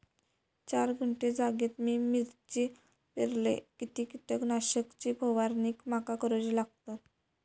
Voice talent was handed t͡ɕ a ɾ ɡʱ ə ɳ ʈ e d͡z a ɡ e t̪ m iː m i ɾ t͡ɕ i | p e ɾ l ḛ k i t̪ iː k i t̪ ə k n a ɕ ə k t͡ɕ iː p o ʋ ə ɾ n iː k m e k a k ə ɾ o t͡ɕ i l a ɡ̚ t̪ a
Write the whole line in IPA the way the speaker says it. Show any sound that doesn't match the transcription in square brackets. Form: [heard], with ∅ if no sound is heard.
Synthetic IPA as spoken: t͡ɕ a ɾ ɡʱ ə ɳ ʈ e d͡z a ɡ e t̪ m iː m i ɾ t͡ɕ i | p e ɾ l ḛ k i t̪ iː k i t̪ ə k n a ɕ ə k t͡ɕ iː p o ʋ [a] ɾ n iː k m [a] k a k ə ɾ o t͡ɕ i l a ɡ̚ t̪ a